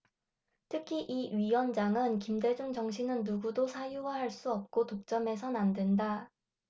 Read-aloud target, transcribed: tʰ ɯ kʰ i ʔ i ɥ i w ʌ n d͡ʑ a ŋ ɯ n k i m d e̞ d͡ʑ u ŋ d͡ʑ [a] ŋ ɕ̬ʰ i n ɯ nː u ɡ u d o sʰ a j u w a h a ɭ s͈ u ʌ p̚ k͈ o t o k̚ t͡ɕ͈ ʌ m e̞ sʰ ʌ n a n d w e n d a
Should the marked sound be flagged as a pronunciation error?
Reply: yes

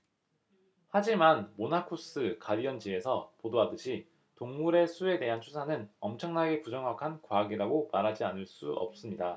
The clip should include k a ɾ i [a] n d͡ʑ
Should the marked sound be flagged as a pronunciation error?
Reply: yes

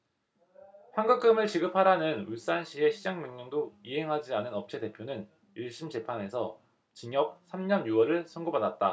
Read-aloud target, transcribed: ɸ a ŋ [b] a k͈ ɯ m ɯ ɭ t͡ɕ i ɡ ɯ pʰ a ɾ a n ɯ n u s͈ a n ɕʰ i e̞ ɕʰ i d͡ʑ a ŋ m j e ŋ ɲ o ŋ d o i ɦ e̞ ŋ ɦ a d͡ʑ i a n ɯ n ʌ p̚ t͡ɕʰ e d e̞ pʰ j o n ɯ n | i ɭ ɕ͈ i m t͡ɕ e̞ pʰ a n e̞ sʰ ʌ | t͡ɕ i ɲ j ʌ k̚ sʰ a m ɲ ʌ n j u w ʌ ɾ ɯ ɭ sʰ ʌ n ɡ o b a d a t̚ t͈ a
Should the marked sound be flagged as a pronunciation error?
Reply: yes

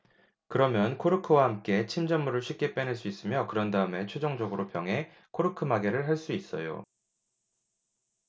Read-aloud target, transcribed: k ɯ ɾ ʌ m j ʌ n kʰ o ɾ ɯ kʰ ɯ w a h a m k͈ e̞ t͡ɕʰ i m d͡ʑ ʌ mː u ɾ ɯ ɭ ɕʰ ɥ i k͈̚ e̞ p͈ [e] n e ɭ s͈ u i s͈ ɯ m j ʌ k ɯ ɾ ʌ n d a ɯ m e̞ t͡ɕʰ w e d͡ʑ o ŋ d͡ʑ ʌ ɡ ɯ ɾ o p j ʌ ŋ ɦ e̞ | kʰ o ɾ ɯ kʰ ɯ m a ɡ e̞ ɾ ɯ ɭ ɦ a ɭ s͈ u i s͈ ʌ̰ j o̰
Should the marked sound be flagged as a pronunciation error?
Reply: no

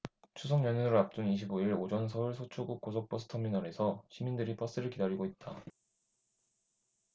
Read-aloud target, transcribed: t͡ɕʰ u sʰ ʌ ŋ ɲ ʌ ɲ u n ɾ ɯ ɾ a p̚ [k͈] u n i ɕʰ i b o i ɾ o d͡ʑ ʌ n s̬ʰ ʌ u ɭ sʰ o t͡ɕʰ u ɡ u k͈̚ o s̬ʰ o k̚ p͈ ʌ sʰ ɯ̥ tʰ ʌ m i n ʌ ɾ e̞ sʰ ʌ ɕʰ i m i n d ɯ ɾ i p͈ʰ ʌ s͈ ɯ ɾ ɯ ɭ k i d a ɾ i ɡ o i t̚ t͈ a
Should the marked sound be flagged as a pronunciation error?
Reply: yes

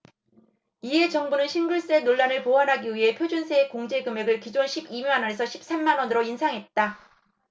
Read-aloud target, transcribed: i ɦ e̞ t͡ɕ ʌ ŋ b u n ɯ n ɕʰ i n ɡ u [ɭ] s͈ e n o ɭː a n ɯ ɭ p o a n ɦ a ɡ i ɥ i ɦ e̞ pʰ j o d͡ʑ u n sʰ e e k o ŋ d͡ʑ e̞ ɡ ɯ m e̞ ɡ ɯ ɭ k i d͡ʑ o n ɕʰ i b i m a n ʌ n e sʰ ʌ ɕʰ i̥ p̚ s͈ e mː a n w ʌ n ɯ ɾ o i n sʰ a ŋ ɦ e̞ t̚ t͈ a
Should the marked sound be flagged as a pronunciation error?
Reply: no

